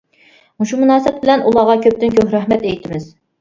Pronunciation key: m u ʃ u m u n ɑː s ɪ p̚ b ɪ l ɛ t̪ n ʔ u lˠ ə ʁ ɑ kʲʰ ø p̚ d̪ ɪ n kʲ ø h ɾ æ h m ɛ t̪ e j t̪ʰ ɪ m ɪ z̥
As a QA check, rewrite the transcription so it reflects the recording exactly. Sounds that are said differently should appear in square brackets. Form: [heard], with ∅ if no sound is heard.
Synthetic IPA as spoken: m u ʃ u m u n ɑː s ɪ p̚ b ɪ l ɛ [∅] n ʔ u lˠ [ɑ] ʁ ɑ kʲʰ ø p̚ [t̪] ɪ n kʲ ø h ɾ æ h m ɛ t̪ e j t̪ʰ ɪ m ɪ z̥